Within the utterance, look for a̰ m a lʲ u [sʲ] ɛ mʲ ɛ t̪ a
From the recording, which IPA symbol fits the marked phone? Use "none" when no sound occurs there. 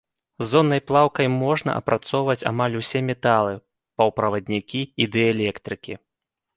sʲ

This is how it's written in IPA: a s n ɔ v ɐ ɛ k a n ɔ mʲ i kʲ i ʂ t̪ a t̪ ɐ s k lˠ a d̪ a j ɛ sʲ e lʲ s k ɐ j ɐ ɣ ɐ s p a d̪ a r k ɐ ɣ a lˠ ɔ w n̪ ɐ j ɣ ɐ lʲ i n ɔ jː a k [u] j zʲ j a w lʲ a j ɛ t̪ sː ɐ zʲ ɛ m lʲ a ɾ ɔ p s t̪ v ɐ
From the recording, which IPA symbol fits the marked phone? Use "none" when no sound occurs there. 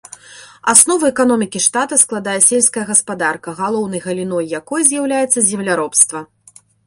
ɔ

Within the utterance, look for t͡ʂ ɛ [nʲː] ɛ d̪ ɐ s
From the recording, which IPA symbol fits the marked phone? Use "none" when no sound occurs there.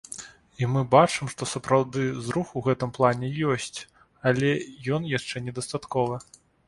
nʲ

